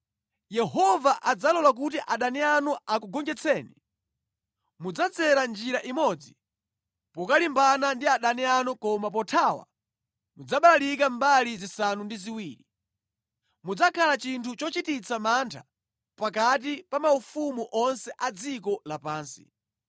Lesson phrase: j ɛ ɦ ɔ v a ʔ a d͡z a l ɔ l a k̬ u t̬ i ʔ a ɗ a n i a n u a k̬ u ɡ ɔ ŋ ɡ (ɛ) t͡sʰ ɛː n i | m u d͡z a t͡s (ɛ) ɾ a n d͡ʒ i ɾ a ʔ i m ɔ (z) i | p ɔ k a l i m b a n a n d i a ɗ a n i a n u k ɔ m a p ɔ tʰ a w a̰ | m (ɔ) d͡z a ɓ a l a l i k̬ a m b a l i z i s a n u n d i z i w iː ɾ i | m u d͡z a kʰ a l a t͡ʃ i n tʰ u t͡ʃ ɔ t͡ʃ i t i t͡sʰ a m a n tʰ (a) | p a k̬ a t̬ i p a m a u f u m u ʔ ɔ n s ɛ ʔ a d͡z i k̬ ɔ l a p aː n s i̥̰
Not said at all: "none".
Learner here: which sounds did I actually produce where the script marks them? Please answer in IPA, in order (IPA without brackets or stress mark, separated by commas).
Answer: ɛ, ɛ, d͡z, u, a